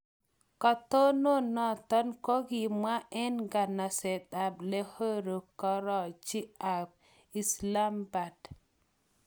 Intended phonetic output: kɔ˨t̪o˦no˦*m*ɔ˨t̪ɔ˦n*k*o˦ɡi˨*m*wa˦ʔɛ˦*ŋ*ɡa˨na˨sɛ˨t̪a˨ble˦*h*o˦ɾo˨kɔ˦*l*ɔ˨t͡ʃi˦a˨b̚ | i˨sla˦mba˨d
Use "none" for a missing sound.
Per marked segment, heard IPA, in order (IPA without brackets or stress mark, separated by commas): n, k, m, n, h, ɾ